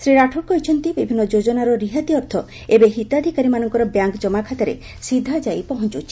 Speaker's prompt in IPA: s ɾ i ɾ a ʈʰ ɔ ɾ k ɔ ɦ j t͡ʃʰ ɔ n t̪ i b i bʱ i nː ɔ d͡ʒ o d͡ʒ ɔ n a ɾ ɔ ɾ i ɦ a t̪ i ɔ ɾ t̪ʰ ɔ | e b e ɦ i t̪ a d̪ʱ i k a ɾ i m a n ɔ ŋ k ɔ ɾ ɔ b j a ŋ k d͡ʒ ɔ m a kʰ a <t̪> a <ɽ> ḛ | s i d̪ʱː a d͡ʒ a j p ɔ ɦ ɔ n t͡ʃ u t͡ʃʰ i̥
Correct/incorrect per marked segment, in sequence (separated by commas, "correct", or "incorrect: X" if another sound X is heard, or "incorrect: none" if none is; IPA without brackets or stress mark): correct, incorrect: ɾ